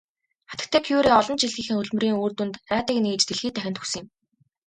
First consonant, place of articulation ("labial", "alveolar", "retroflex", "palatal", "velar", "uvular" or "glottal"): uvular